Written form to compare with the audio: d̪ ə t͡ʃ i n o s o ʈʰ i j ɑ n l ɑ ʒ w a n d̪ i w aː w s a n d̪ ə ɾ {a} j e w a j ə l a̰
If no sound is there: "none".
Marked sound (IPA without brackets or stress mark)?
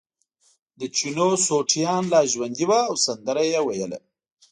a